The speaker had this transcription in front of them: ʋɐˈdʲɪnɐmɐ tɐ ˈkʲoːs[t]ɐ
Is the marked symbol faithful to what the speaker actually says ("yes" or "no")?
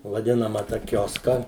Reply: no